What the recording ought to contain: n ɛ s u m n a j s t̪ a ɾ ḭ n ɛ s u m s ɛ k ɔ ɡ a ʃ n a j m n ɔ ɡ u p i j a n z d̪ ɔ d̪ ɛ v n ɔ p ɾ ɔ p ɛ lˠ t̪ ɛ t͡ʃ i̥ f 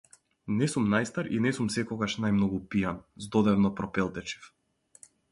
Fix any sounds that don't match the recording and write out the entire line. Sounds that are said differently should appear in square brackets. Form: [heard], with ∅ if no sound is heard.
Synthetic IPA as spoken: n ɛ s u m n a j s t̪ a ɾ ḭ n ɛ s u m s ɛ k ɔ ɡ a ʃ n a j m n ɔ ɡ u p i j a n z d̪ ɔ d̪ ɛ v n ɔ p ɾ ɔ p ɛ lˠ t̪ ɛ t͡ʃ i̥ f